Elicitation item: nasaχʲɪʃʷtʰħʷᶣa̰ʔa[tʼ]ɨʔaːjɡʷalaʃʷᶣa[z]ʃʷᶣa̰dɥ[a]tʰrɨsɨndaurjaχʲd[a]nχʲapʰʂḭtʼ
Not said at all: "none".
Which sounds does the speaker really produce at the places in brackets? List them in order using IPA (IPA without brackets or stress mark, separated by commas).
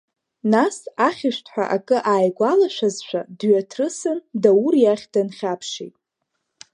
kʼ, z, a, a